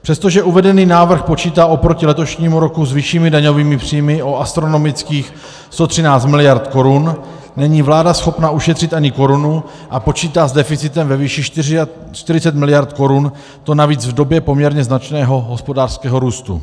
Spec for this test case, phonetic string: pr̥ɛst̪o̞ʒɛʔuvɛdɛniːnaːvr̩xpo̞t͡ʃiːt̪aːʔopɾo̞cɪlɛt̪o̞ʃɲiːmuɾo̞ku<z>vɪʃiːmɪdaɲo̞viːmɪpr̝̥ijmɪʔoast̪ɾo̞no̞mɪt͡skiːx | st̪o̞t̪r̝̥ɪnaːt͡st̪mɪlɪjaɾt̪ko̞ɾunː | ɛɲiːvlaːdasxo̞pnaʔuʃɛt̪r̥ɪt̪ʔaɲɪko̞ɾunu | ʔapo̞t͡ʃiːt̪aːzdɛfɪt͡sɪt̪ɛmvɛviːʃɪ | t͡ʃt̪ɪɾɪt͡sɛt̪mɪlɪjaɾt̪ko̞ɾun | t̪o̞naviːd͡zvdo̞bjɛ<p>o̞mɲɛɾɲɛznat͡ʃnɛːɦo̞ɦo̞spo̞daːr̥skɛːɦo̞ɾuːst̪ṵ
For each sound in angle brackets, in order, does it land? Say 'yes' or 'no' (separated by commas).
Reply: yes, yes